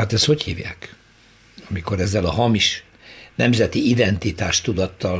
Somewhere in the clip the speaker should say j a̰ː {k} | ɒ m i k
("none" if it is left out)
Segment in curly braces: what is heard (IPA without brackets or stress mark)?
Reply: k